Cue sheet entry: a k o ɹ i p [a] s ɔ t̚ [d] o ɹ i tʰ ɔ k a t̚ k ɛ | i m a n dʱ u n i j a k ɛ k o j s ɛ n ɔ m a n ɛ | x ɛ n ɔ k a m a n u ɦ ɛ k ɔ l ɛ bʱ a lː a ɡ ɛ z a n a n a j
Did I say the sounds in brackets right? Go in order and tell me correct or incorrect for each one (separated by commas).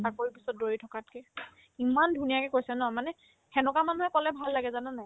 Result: incorrect, correct